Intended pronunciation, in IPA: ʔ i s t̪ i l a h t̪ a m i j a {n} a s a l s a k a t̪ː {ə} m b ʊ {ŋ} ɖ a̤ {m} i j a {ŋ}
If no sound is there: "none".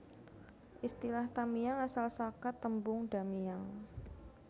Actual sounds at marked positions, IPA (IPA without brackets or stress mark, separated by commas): ŋ, ə, ŋ, m, ŋ